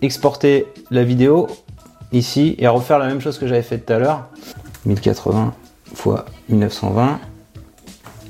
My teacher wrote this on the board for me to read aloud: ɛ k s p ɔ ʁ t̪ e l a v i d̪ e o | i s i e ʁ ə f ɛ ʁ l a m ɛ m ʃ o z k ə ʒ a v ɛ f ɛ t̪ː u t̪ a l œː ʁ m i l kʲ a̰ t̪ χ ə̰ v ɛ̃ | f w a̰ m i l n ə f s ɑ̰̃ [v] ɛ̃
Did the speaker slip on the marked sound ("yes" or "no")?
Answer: no